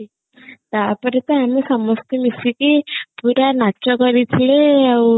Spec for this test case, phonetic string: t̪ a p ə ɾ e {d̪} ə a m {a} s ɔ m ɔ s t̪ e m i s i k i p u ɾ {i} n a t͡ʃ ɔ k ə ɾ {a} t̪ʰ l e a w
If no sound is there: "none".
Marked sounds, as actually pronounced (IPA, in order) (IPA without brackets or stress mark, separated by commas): t̪, i, a, i